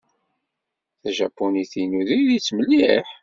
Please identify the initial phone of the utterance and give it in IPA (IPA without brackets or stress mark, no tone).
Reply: θ